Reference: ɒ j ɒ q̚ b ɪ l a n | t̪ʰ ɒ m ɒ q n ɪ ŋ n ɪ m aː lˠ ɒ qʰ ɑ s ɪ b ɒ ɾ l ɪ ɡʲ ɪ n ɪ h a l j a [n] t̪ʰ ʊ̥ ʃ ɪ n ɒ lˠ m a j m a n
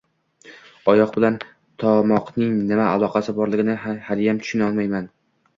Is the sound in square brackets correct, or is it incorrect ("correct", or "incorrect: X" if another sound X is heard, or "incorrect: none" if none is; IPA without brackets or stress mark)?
incorrect: m